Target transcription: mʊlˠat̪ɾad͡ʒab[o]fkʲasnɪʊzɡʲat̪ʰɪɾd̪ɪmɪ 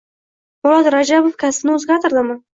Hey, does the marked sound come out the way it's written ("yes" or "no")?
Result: yes